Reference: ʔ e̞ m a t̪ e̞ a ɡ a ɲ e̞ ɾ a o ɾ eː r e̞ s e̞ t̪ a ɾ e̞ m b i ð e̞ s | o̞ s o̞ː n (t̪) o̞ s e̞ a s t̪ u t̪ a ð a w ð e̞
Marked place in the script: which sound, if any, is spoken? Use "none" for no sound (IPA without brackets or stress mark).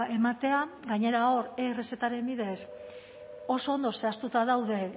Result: d̪